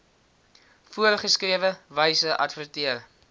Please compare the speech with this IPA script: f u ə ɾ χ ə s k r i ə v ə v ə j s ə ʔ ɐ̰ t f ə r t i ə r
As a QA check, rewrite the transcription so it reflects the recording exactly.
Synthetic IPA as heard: f u ə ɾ χ ə s k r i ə v ə v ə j s ə ʔ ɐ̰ t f ə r t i ə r